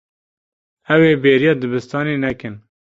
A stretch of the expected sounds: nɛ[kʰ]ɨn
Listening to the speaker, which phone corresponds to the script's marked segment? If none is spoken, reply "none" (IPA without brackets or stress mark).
k